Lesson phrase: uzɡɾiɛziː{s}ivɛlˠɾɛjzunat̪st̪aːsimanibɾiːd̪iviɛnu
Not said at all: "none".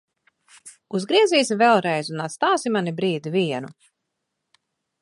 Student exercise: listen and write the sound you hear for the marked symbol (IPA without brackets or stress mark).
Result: s